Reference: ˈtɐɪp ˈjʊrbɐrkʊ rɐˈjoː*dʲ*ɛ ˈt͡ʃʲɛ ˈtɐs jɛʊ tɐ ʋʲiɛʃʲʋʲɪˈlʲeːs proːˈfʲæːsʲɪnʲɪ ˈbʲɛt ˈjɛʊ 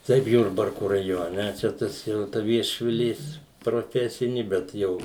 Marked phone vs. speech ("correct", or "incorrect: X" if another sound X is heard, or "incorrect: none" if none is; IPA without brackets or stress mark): incorrect: nʲ